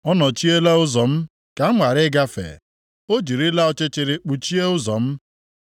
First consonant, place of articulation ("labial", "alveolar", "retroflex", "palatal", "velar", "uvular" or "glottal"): alveolar